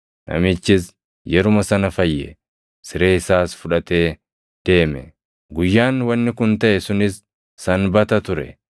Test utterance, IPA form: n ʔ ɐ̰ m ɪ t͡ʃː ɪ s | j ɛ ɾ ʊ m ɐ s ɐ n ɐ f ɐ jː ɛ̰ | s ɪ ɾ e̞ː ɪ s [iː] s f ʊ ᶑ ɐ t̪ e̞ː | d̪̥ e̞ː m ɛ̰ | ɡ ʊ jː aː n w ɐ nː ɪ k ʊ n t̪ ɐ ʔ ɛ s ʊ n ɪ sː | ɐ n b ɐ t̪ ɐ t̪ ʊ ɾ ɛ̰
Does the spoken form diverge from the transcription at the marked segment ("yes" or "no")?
yes